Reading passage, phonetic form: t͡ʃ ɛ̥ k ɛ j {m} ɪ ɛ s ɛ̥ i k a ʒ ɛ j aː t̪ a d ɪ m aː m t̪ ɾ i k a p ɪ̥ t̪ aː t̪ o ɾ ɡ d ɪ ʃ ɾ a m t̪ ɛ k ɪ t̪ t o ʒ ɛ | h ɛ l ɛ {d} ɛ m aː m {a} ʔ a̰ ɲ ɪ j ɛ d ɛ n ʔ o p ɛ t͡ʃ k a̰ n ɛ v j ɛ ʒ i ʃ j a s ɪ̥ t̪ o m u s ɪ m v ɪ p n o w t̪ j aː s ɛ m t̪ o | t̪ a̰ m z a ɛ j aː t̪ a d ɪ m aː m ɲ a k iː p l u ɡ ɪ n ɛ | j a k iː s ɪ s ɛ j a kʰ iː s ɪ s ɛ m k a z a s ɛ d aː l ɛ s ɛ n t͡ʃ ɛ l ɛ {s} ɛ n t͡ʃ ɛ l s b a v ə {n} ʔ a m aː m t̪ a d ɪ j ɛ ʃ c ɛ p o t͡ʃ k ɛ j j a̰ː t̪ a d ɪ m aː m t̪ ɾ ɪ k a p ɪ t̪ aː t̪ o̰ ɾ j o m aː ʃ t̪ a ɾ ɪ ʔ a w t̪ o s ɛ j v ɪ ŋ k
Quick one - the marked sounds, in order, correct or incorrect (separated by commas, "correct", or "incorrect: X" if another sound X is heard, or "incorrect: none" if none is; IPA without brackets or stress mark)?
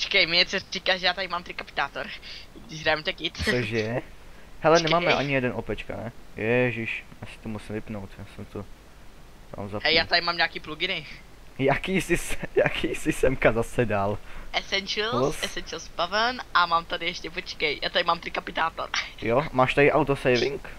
correct, incorrect: n, incorrect: ɛ, correct, correct